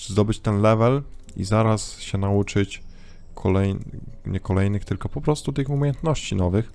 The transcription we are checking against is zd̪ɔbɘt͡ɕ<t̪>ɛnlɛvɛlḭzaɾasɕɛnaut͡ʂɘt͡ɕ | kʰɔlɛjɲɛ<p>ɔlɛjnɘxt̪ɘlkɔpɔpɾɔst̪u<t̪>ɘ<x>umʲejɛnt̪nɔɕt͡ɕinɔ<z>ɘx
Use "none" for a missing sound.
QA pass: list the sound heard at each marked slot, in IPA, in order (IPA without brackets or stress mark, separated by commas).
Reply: t̪, k, t̪, x, v